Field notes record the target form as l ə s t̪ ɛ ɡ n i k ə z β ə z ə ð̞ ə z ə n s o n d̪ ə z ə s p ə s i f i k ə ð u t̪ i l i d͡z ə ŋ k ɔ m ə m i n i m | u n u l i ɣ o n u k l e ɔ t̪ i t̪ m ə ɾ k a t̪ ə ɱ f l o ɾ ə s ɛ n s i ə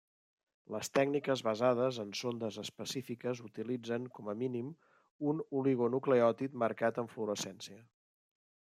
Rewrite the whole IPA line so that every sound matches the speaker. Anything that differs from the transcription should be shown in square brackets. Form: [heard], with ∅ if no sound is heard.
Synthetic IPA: l ə s t̪ ɛ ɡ n i k ə z β ə z [a] ð̞ ə z ə n s o n d̪ ə z ə s p ə s i f i k ə [z] u t̪ i l i d͡z ə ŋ k ɔ m ə m i n i m | u n u l i ɣ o n u k l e ɔ t̪ i t̪ m ə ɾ k a t̪ ə ɱ f l [u] ɾ ə s ɛ n s i ə